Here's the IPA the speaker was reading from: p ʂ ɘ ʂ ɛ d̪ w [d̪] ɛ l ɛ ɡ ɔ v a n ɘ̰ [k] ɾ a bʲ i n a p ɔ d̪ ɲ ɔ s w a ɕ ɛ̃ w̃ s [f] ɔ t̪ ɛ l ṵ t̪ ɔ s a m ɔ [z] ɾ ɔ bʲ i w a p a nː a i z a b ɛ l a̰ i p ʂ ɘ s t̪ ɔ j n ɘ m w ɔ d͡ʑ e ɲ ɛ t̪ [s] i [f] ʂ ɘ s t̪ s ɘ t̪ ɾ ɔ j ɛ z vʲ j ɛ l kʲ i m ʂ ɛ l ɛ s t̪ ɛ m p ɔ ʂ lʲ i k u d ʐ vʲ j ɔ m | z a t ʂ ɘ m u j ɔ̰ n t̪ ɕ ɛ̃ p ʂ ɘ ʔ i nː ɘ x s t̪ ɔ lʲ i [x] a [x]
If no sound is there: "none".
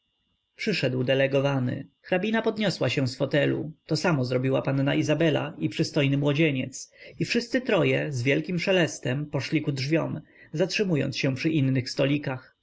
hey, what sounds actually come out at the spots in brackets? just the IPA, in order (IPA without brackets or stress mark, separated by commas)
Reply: d̪, x, f, z, s, f, k, x